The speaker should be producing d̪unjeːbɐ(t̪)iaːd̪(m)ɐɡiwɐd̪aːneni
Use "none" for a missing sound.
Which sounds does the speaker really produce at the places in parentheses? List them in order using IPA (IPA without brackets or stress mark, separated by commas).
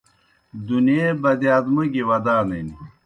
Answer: d̪, m